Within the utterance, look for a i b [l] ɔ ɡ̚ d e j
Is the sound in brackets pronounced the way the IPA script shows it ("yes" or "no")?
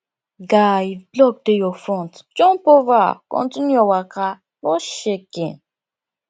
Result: yes